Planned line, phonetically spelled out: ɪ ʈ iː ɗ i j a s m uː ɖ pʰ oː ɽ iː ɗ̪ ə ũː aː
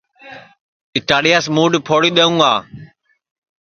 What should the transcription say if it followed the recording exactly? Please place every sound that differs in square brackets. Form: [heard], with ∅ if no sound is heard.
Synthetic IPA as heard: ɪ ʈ [aː] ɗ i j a s m uː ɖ pʰ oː ɽ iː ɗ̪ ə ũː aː

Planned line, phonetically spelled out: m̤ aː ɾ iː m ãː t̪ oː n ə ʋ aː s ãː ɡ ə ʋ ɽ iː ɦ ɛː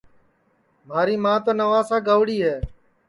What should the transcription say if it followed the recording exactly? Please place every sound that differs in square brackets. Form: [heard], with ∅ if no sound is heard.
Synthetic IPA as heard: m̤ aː ɾ iː m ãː t̪ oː n ə ʋ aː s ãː ɡ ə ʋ ɽ iː ɦ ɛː

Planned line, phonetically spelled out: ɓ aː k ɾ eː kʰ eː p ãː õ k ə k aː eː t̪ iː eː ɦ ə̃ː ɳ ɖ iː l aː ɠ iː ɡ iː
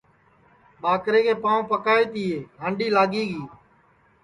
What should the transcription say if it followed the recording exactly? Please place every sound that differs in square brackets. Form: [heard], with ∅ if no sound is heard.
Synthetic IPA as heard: ɓ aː k ɾ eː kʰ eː p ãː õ [p] ə k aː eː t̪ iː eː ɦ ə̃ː ɳ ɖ iː l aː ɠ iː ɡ iː

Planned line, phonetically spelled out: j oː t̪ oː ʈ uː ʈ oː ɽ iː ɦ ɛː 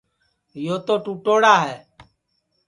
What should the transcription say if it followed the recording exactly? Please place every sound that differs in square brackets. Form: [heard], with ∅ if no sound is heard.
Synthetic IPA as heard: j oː t̪ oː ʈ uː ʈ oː ɽ [aː] ɦ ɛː

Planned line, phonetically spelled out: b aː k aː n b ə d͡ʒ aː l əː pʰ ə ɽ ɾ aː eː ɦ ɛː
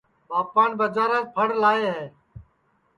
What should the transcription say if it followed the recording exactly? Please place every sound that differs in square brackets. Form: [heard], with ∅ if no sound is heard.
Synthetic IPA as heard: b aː [p] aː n b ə d͡ʒ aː [ɾ] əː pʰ ə ɽ [l] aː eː ɦ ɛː

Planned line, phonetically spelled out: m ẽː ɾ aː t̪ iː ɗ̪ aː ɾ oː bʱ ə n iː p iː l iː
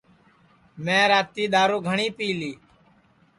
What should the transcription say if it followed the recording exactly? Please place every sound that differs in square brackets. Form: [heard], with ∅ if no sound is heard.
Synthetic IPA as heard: m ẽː ɾ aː t̪ iː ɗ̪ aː ɾ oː [ɡʱ] ə [ɳ] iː p iː l iː

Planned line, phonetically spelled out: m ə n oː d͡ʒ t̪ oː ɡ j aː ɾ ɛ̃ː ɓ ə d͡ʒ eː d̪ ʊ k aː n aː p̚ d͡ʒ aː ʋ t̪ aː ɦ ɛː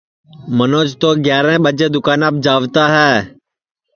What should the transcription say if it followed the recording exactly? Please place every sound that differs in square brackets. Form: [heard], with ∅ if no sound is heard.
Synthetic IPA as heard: m ə n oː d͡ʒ t̪ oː ɡ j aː ɾ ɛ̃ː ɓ ə d͡ʒ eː d̪ ʊ k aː n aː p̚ d͡ʒ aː ʋ t̪ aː ɦ ɛː

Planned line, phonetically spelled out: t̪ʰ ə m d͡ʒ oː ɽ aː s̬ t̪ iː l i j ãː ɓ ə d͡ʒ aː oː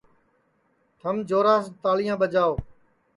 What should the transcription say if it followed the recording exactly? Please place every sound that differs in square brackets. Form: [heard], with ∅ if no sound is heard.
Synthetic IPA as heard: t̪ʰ ə m d͡ʒ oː [ɾ] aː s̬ t̪ [aː] l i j ãː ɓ ə d͡ʒ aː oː

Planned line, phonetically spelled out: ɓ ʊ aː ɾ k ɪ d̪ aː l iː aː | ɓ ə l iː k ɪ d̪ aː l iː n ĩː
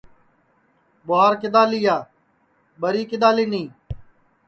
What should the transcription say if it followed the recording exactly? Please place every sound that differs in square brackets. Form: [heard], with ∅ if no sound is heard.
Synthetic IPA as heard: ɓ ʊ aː ɾ k ɪ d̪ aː l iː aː | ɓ ə [ɾ] iː k ɪ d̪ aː l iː n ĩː

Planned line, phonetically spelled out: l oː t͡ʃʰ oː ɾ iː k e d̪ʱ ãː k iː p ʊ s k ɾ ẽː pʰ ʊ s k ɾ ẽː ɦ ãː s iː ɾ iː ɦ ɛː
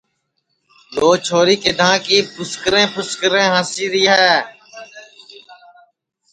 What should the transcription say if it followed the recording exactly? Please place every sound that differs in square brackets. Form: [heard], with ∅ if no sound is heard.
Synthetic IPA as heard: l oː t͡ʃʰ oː ɾ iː k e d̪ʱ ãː k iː p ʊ s k ɾ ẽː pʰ ʊ s k ɾ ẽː ɦ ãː s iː ɾ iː ɦ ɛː

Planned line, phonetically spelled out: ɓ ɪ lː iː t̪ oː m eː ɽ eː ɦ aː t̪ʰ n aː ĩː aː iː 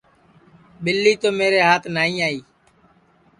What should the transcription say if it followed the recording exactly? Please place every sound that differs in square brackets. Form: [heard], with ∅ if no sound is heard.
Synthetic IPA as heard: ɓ ɪ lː iː t̪ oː m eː [ɾ] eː ɦ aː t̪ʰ n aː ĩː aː iː

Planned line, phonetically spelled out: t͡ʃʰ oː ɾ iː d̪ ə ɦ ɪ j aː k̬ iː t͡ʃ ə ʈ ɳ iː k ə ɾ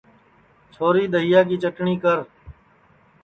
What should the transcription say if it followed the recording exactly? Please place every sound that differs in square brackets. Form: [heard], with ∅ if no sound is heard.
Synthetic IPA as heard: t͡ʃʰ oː ɾ iː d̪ ə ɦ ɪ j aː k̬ iː t͡ʃ ə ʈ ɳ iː k ə ɾ

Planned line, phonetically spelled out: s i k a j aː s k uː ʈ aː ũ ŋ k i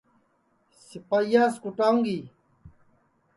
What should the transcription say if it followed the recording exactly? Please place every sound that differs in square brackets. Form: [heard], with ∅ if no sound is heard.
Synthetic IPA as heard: s i [p] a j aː s k [u] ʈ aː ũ ŋ [ɡ] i

